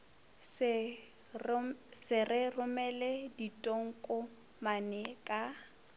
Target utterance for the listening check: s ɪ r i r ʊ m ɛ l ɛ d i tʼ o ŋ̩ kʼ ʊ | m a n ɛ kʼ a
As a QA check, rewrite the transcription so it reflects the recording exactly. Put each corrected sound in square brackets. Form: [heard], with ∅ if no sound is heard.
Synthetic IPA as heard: s ɪ r [ɪ] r ʊ m ɛ l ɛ d i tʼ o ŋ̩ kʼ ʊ | m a n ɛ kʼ a